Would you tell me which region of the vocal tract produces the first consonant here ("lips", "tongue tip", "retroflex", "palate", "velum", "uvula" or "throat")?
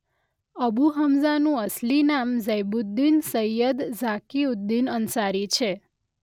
lips